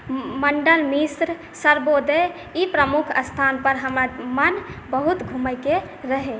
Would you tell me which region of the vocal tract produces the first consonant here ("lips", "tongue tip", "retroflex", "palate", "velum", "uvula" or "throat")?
lips